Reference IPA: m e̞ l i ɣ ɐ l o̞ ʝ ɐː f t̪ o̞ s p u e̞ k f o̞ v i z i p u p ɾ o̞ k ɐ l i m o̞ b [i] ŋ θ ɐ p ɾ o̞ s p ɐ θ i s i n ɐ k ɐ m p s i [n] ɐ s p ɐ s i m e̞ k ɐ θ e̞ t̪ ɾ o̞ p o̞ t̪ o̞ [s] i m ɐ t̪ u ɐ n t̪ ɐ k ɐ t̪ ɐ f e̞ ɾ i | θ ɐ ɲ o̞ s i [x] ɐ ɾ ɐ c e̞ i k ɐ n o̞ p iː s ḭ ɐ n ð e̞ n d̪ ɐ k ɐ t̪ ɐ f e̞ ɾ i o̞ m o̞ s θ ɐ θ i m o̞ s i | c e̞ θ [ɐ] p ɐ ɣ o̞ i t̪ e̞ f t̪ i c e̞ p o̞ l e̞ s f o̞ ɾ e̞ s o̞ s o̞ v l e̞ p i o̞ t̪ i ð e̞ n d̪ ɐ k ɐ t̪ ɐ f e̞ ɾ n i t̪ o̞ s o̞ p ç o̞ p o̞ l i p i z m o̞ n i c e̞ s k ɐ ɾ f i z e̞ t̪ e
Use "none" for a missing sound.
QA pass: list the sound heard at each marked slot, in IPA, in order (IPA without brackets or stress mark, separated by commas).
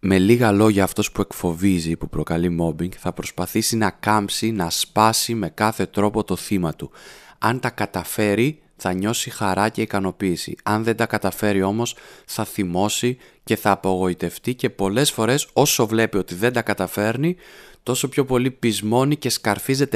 i, n, θ, x, ɐː